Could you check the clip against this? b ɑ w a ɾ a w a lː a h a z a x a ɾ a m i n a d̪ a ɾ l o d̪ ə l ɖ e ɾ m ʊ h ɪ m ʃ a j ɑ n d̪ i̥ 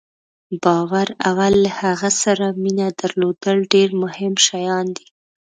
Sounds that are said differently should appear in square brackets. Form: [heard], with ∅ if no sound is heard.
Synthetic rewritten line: b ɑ w a ɾ a w a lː a h a [ɣ] a [s] a ɾ a m i n a d̪ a ɾ l o d̪ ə l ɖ e ɾ m ʊ h ɪ m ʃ a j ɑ n d̪ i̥